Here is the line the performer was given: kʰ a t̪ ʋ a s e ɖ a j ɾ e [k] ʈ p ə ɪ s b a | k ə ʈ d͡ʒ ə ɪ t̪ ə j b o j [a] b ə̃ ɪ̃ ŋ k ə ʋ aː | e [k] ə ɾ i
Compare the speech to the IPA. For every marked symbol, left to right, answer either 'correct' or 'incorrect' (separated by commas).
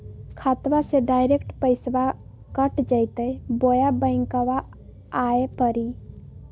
correct, correct, incorrect